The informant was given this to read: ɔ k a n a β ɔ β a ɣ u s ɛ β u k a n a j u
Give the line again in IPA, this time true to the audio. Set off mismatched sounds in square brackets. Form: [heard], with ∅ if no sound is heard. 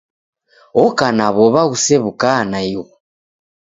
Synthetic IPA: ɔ k a n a β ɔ β a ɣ u s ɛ β u k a n a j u